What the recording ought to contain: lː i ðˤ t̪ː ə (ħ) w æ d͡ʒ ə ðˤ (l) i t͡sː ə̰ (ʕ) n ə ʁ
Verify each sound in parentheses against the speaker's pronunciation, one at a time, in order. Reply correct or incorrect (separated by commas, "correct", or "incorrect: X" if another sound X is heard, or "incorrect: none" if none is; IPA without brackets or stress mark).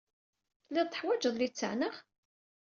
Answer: correct, correct, correct